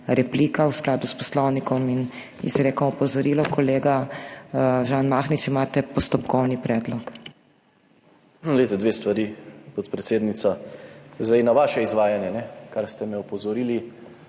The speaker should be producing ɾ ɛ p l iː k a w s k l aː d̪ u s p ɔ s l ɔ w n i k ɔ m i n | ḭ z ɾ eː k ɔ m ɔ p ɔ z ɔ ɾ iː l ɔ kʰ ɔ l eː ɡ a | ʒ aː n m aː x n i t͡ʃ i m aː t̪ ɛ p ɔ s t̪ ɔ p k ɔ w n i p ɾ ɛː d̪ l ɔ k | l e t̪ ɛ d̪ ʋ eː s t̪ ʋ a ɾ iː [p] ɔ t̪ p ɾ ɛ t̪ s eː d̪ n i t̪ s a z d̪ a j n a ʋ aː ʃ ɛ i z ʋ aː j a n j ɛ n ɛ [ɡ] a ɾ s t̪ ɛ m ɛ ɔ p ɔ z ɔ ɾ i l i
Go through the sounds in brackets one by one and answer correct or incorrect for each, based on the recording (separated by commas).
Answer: correct, incorrect